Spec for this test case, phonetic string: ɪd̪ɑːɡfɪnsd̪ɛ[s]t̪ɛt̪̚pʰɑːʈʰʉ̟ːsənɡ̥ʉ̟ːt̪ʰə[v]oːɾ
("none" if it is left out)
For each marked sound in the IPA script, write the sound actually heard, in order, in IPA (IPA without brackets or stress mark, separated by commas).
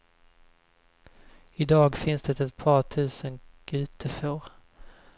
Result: none, f